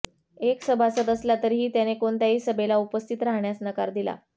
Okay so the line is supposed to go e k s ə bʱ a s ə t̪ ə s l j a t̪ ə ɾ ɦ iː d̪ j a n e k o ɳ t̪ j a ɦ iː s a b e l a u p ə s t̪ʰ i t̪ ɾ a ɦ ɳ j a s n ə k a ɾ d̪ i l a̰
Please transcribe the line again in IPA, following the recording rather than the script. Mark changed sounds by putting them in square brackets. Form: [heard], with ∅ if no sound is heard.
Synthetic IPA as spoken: e k s ə bʱ a s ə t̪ ə s l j a t̪ ə ɾ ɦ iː [t̪] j a n e k o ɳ t̪ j a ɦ iː s [ə] b e l a u p ə s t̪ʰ i t̪ ɾ a ɦ ɳ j a s n ə k a ɾ d̪ i l a̰